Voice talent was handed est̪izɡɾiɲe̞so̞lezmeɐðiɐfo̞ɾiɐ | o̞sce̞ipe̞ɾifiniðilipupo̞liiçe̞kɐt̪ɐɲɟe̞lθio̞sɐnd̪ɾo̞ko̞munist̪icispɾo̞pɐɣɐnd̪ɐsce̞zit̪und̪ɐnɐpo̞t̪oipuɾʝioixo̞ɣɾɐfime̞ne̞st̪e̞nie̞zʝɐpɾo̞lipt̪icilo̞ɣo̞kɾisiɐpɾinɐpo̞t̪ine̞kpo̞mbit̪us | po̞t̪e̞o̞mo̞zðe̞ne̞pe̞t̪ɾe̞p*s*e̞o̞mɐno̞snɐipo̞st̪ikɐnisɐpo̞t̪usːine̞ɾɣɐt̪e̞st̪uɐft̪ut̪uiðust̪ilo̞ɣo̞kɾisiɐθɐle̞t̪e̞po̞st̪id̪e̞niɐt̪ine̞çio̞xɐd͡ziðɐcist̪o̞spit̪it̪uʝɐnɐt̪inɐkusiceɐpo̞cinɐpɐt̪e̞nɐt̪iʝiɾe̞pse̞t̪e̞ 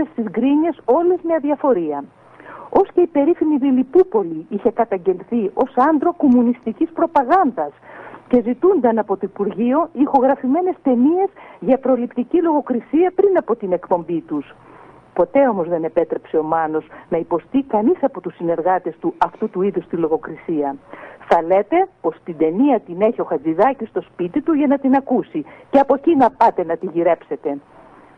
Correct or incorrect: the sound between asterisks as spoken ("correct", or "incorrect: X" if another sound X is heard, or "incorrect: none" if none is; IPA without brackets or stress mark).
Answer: correct